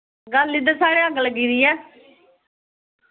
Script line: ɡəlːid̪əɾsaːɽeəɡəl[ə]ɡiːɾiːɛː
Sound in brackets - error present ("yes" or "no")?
no